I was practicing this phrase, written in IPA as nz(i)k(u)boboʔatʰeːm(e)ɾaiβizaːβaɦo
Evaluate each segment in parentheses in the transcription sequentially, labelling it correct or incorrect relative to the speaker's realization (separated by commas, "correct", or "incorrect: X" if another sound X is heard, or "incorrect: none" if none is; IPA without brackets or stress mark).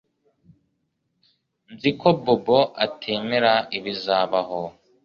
correct, incorrect: o, correct